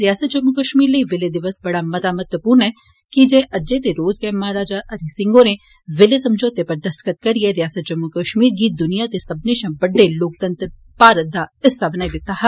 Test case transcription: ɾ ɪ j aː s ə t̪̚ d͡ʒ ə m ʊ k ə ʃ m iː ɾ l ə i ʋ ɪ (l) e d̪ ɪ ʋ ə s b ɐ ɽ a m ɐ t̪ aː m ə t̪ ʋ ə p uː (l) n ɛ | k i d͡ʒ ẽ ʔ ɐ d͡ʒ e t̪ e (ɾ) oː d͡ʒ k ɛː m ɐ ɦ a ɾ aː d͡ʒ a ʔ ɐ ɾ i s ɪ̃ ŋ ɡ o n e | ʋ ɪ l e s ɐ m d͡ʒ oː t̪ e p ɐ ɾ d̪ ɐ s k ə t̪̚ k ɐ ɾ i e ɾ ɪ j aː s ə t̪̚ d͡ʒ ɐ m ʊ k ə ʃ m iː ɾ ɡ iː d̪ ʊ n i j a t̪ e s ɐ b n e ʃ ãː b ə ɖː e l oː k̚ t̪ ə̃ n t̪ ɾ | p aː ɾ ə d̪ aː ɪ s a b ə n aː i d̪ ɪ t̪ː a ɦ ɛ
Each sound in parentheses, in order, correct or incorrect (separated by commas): correct, incorrect, correct